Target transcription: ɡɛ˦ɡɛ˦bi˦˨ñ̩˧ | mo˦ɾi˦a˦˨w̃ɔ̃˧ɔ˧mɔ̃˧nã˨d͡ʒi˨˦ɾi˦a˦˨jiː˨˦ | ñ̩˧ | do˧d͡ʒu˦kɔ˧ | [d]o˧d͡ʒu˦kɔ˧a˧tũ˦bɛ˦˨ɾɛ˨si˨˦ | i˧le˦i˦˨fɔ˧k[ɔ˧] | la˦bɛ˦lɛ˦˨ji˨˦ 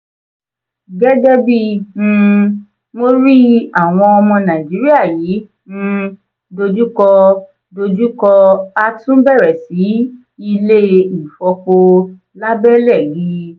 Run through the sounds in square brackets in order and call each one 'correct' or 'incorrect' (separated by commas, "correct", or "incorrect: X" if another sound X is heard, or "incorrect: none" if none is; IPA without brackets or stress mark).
correct, incorrect: o˧